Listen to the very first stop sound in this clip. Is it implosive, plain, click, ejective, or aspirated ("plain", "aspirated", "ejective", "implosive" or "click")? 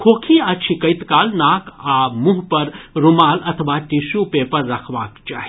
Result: aspirated